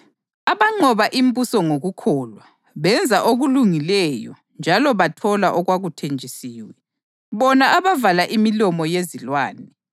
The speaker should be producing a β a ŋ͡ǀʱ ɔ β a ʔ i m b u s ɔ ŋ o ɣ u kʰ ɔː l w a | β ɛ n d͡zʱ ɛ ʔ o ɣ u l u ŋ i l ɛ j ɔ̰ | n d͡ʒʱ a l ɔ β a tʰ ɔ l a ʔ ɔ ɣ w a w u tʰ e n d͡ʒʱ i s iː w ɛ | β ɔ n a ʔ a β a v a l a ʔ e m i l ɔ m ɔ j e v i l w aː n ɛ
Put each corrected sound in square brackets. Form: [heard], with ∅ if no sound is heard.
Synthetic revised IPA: a β a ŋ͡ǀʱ ɔ β a ʔ i m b u s ɔ ŋ o ɣ u kʰ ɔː l w a | β ɛ n d͡zʱ [a] ʔ o ɣ u l u ŋ i l ɛ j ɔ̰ | n d͡ʒʱ a l ɔ β a tʰ ɔ l a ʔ ɔ ɣ w a [ɣ] u tʰ e n d͡ʒʱ i s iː w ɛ | β ɔ n a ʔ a β a v a l a ʔ [i] m i l ɔ m ɔ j e [z] i l w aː n ɛ